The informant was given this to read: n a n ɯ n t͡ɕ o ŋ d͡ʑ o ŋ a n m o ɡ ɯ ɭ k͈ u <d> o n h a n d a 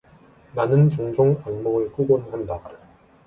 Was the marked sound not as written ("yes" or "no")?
yes